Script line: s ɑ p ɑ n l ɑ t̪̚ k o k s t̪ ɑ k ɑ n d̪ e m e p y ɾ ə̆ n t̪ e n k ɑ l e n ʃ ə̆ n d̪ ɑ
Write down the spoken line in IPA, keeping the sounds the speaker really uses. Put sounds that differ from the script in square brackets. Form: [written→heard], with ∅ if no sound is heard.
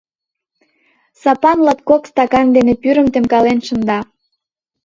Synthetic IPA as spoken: s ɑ p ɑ n l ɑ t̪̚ k o k s t̪ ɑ k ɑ n d̪ e [m→n] e p y ɾ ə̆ [n→m] t̪ e [n→m] k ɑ l e n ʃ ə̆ n d̪ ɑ